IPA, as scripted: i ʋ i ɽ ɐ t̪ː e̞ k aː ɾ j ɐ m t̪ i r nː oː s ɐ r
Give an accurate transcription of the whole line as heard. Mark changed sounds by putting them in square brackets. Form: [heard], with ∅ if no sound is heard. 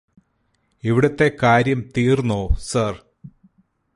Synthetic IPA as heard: i ʋ i ɽ ɐ t̪ː e̞ k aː ɾ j ɐ m t̪ [iː] r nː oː s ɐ r